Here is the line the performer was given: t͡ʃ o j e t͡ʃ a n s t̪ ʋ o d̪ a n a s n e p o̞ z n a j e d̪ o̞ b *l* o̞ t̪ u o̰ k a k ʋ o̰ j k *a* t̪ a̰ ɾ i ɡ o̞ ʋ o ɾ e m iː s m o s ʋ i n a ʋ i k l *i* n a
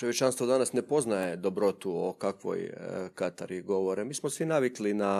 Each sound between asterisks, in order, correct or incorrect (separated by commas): incorrect, correct, correct